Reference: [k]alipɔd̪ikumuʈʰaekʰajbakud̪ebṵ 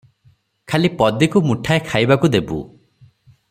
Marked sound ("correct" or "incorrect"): incorrect